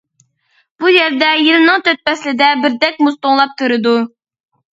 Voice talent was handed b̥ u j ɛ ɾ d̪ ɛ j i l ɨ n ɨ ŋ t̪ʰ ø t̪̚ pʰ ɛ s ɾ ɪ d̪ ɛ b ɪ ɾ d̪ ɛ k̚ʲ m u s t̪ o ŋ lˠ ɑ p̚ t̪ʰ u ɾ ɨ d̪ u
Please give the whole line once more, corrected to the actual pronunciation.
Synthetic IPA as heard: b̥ u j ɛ ɾ d̪ ɛ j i l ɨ n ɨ ŋ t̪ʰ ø t̪̚ p ɛ s l ɪ d̪ ɛ b ɪ ɾ d̪ ɛ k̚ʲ m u s t̪ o ŋ lˠ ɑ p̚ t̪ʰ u ɾ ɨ d̪ u